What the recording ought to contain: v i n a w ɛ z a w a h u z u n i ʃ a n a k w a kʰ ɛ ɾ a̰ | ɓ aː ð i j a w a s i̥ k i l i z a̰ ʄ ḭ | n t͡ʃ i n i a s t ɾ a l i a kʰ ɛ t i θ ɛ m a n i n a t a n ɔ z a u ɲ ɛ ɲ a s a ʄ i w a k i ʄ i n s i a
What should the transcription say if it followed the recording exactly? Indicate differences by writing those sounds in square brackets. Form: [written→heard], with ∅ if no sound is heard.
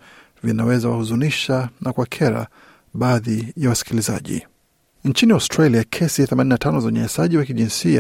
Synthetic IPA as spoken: v i n a w ɛ z a w a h u z u n i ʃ a n a k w a kʰ ɛ ɾ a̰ | ɓ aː ð i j a w a s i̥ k i l i z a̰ ʄ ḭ | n t͡ʃ i n i a s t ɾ a l i a kʰ ɛ [t→s] i θ ɛ m a n i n a t a n ɔ z a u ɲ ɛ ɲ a s a ʄ i w a k i ʄ i n s i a